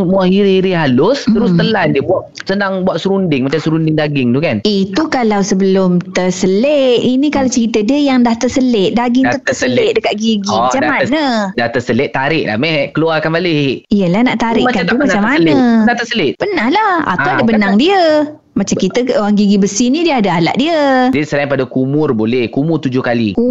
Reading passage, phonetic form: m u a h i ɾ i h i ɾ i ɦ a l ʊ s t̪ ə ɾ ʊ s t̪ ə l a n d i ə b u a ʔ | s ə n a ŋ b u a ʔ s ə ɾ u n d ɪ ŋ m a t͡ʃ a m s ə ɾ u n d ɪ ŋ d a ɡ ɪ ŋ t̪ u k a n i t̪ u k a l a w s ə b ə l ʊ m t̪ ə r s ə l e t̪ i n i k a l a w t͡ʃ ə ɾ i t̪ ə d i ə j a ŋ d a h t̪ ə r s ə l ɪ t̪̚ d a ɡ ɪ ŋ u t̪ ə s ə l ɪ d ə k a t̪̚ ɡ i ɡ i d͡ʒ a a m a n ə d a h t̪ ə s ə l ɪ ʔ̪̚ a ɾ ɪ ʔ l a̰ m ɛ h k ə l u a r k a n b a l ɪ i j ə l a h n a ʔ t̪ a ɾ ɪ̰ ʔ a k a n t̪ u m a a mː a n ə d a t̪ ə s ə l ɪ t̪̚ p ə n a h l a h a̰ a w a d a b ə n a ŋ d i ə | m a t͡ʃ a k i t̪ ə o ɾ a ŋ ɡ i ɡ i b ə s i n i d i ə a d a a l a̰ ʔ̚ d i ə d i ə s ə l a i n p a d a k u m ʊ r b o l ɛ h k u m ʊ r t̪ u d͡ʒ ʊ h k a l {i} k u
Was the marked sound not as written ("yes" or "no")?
no